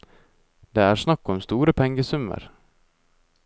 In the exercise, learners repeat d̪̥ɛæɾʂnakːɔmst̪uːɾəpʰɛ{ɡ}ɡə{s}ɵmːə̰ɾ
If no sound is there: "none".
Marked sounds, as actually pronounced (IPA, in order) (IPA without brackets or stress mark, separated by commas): ŋ, s